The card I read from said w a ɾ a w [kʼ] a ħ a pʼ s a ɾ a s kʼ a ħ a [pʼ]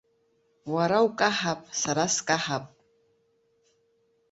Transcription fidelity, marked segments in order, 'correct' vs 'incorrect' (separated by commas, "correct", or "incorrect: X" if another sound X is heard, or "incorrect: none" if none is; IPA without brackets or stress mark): correct, correct